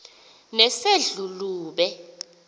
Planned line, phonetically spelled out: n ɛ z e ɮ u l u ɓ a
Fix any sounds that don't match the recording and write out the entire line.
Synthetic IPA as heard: n ɛ s e ɮ u l uː ɓ ɛ

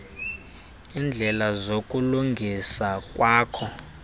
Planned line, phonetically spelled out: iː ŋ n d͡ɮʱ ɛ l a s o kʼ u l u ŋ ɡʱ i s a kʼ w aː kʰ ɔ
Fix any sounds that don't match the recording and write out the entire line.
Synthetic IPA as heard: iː n d͡ɮʱ ɛ l a z o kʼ u l u ŋ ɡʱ i s a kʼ w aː kʰ ɔ

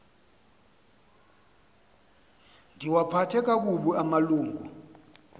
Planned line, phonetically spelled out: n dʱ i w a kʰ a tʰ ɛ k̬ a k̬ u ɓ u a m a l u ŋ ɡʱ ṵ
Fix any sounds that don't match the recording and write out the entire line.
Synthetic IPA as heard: n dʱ i w a pʰ a tʰ ɛ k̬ a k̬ u ɓ u a m a l uː ŋ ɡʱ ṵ

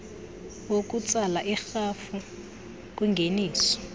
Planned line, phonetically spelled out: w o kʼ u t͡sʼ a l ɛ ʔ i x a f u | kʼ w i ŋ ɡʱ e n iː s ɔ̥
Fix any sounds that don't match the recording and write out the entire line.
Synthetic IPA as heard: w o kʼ u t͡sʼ a l a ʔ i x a f u | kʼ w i ŋ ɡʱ e n iː s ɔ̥

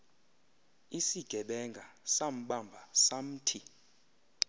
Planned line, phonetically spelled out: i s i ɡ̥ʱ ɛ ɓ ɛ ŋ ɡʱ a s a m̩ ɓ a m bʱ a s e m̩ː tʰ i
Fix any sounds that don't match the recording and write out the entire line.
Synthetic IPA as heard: i s i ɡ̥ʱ ɛ ɓ ɛ ŋ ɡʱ a s a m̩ ɓ a m bʱ a s a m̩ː tʰ i

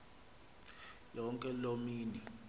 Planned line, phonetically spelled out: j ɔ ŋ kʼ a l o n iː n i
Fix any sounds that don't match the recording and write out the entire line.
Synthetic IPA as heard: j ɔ ŋ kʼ ɛ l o m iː n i

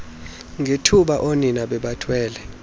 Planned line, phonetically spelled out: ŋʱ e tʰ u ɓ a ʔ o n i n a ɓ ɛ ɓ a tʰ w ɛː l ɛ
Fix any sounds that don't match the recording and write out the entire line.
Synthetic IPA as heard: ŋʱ e tʰ u ɓ a ʔ o n i n a ɓ ɛ ɓ a tʰ w ɛː l ɛ

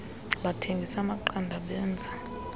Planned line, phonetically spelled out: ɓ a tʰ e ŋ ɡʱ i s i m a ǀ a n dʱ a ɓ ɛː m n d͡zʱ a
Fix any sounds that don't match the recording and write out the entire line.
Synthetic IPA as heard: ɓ a tʰ e ŋ ɡʱ i s a m a ǃ a n dʱ a ɓ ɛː n d͡zʱ a

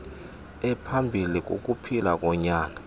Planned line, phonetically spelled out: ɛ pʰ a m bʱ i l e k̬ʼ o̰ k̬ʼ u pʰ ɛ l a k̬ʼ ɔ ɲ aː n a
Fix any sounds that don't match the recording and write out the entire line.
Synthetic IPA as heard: ɛ pʰ a m bʱ i l i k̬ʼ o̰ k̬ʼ u pʰ i l a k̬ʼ ɔ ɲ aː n a

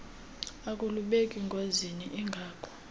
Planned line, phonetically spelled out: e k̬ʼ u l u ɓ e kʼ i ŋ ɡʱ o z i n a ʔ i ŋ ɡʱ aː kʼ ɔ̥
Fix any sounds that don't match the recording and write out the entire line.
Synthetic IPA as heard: a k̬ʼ u l u ɓ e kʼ i ŋ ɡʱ o z i n i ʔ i ŋ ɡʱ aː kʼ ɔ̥

